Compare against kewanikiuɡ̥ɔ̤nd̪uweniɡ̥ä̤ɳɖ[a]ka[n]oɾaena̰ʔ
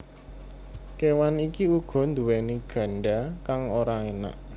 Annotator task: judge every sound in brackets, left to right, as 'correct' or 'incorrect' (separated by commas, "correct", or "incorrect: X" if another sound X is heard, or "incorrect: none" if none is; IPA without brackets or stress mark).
correct, incorrect: ŋ